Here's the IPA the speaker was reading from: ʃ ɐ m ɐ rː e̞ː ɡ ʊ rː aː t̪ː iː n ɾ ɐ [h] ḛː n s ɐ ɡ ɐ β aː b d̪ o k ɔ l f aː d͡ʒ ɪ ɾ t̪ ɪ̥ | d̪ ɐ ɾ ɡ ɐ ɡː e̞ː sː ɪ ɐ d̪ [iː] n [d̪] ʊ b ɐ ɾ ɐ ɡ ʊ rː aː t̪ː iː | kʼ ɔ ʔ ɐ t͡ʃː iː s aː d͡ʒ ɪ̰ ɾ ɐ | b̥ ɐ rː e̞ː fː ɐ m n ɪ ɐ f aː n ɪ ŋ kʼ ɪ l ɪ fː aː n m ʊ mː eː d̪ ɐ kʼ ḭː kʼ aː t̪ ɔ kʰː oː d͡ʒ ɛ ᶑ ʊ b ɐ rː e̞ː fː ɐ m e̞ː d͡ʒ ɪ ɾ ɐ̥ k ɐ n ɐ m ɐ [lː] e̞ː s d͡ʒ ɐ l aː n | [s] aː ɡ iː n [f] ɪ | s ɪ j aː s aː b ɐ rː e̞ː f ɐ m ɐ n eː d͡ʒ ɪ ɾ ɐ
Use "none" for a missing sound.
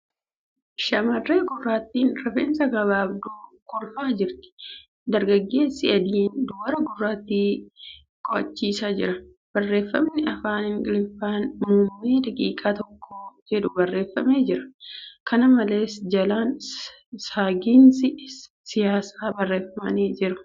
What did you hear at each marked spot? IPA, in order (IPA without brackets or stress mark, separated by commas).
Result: f, iː, d̪, l, s, s